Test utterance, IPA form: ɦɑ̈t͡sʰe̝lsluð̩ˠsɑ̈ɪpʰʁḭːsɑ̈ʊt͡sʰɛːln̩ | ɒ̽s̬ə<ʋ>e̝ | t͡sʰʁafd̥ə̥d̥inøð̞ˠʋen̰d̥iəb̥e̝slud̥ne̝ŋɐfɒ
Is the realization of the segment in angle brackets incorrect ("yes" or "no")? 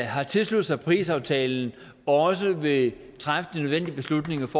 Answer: no